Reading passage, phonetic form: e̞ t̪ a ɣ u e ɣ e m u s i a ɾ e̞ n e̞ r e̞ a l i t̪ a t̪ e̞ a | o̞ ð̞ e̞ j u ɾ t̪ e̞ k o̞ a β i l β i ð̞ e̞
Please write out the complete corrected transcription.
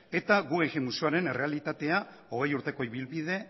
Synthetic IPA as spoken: e̞ t̪ a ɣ u e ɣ e m u s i a ɾ e̞ n e̞ r e̞ a l i t̪ a t̪ e̞ a | o̞ ɣ̞ e̞ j u ɾ t̪ e̞ k o̞ i β i l β i ð̞ e̞